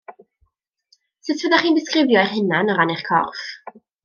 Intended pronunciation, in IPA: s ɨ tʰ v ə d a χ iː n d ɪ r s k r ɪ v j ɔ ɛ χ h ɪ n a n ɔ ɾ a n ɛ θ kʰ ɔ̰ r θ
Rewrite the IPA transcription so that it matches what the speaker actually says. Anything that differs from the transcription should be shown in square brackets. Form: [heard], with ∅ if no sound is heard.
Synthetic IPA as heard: s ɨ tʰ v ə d a χ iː n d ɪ [∅] s k r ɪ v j ɔ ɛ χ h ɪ n a n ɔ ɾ a n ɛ [χ] kʰ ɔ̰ r [f]